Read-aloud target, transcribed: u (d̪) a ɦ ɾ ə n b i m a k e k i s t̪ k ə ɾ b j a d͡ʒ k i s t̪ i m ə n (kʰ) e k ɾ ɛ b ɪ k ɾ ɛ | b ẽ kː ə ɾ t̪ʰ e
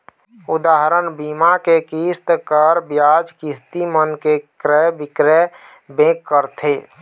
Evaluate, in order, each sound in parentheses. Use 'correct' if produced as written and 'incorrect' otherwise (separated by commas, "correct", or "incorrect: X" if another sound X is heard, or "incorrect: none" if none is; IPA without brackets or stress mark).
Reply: correct, incorrect: k